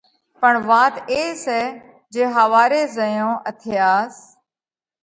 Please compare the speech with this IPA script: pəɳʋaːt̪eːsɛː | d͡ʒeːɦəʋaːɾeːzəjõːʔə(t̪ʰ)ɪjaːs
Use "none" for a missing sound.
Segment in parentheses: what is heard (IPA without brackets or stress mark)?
t̪ʰ